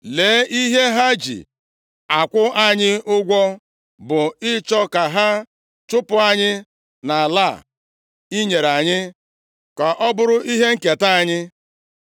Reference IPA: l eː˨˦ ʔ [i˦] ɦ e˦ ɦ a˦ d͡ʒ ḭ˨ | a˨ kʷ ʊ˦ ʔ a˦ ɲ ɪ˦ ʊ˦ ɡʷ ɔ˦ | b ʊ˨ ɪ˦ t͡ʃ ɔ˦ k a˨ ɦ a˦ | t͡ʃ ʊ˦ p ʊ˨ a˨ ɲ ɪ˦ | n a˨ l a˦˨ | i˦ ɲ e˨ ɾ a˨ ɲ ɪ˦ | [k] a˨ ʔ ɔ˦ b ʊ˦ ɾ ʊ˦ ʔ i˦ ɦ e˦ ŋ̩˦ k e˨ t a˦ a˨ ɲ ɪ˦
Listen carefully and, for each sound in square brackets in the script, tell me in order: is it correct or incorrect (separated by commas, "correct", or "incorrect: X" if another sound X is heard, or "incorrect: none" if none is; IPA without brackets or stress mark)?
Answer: correct, correct